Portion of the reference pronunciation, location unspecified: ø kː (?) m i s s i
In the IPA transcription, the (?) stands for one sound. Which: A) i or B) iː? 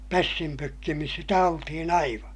A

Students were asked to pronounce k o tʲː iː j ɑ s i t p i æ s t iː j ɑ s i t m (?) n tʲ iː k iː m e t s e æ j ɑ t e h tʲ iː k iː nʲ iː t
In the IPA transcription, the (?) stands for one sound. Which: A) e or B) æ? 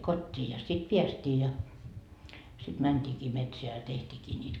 B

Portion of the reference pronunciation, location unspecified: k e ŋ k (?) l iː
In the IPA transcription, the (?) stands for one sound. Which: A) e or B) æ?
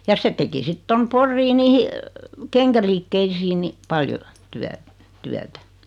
B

